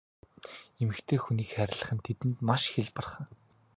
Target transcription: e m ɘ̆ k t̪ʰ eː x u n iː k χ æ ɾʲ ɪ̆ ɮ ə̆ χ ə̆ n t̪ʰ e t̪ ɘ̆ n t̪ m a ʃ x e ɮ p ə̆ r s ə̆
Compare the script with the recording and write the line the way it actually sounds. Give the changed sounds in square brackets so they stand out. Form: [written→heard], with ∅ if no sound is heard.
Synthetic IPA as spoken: e m ɘ̆ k t̪ʰ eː x u n iː k χ æ ɾʲ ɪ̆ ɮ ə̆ χ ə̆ n t̪ʰ e t̪ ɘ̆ n t̪ m a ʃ x e ɮ p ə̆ r [s→χ] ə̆